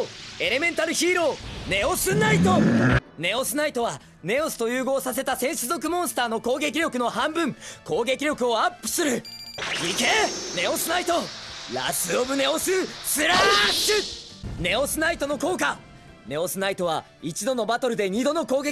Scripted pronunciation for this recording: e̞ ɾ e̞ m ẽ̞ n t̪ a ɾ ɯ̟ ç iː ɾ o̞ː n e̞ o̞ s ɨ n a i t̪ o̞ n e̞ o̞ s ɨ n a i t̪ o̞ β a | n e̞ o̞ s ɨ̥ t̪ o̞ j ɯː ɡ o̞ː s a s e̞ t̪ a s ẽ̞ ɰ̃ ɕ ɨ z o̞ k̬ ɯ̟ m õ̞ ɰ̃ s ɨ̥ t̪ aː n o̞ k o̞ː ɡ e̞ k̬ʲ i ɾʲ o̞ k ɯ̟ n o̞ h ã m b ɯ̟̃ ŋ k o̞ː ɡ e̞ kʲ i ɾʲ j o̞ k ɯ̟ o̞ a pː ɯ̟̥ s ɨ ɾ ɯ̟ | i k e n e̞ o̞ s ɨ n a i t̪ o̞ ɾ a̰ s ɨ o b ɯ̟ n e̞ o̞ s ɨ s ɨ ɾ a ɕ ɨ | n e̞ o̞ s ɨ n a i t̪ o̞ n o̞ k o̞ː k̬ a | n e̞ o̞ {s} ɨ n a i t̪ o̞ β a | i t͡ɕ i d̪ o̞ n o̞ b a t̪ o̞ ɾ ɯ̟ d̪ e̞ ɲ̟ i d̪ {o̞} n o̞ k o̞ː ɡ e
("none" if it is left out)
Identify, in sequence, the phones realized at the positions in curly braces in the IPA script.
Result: s, o̞

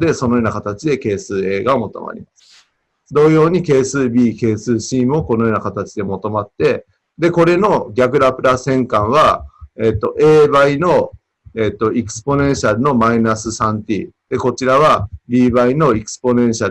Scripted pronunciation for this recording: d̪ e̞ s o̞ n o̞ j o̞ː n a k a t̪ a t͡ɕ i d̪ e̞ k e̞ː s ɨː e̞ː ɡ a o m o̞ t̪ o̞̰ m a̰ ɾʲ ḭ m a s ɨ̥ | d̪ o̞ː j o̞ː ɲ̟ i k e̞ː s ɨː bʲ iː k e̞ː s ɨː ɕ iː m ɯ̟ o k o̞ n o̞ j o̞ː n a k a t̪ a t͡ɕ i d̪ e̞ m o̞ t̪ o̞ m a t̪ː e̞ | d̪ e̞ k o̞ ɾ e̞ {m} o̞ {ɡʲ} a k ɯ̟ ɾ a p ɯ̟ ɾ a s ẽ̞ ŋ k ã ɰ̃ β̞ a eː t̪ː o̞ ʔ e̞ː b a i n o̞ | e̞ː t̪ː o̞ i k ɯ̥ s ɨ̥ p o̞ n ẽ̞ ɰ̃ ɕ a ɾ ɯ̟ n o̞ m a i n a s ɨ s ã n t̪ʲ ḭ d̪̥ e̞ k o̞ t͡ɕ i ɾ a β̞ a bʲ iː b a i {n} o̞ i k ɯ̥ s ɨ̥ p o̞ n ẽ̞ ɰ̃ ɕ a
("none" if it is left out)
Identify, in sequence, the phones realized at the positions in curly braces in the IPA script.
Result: n, ɡʲ, n

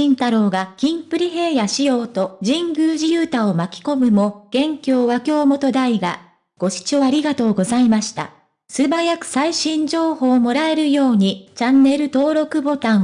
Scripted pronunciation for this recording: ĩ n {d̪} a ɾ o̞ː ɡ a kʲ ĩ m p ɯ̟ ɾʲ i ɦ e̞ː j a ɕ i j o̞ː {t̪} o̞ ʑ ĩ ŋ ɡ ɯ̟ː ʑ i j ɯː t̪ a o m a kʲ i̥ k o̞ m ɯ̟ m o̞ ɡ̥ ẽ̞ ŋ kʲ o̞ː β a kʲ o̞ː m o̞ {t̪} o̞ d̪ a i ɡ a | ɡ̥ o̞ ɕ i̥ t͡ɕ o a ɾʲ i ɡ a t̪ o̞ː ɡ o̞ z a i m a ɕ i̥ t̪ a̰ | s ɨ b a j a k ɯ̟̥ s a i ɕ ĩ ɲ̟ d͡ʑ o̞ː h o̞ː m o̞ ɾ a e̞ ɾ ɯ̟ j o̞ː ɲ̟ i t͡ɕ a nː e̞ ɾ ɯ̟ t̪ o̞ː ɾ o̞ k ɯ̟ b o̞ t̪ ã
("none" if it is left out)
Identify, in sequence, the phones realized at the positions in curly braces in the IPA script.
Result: t̪, t̪, t̪

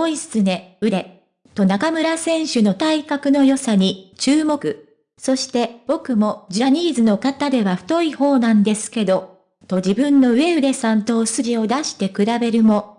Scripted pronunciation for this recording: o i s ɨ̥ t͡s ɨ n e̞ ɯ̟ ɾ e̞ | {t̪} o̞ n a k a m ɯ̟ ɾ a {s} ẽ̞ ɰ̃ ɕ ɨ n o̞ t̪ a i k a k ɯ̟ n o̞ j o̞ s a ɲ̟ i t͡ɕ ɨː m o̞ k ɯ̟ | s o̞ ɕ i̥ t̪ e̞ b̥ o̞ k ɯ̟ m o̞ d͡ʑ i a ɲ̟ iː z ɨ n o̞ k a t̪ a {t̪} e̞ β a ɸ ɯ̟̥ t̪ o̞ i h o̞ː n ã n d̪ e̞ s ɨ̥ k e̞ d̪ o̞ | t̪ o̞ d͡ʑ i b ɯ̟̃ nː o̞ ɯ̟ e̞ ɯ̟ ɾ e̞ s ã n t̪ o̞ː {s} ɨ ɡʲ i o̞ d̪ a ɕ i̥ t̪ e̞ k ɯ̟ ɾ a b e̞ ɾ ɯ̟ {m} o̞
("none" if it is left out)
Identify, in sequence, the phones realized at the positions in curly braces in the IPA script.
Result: t̪, s, d̪, s, m

